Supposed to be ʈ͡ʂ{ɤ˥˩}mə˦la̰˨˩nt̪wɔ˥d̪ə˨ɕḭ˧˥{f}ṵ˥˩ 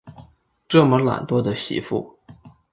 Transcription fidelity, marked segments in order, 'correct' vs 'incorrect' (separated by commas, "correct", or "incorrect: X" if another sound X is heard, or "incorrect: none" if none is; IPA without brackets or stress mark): correct, correct